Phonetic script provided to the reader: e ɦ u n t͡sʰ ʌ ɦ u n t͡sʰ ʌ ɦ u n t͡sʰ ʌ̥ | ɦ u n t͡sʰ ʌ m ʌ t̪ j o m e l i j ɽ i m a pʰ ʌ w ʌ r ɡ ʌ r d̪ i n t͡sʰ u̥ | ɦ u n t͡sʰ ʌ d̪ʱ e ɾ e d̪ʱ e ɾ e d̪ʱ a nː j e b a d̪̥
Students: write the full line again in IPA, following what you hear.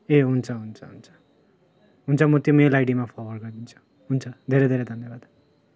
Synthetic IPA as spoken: e ɦ u n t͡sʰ ʌ ɦ u n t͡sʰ ʌ ɦ u n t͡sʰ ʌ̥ | ɦ u n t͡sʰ ʌ m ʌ t̪ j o m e l a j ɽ i m a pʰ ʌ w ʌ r ɡ ʌ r d̪ i n t͡sʰ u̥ | ɦ u n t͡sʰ ʌ d̪ʱ e ɾ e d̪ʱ e ɾ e d̪ʱ ʌ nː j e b a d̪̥